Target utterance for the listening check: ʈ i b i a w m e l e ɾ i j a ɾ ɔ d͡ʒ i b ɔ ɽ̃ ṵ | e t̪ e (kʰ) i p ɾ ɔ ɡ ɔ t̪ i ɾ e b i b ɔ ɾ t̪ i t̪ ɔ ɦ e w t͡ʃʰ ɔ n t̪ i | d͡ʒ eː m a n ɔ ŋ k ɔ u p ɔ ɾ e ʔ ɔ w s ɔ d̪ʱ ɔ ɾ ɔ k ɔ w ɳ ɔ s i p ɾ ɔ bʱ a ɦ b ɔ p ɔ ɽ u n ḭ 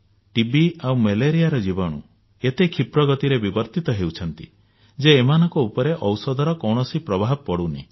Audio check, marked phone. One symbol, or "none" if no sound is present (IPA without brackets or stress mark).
kʰ